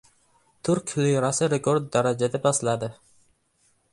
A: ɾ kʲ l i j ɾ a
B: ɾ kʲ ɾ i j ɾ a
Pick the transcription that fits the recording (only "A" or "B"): A